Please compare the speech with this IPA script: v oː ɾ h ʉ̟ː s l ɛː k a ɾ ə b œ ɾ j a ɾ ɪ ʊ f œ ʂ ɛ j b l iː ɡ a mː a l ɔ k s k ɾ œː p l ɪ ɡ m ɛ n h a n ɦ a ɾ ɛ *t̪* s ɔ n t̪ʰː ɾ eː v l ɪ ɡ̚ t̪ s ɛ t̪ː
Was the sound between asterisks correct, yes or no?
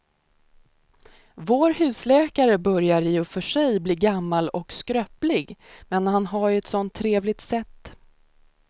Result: yes